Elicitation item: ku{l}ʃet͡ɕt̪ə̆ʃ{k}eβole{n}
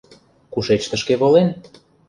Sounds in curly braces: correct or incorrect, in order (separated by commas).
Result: incorrect, correct, correct